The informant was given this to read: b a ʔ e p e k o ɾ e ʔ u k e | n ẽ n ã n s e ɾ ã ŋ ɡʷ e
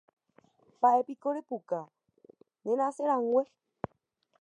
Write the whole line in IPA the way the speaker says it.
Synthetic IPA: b a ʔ e p i k o ɾ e p u k a | n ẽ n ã s e ɾ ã ŋ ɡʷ e